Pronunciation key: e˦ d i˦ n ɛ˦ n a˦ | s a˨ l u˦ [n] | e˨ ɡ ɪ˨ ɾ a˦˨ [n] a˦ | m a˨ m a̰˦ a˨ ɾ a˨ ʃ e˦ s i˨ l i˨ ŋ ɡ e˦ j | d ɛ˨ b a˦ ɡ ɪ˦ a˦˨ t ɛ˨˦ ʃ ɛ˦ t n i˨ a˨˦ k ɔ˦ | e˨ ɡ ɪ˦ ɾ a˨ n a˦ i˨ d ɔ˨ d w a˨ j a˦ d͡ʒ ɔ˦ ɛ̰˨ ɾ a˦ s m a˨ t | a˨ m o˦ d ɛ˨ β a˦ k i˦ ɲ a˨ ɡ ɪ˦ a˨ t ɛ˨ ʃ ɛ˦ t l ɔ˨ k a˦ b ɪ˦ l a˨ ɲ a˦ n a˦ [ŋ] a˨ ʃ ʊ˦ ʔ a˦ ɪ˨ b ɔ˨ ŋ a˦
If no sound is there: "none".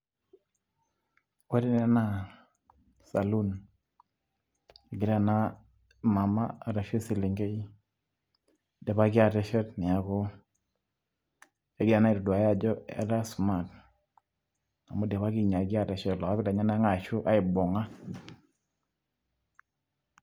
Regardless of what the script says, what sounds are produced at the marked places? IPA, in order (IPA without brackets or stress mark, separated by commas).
n, n, ŋ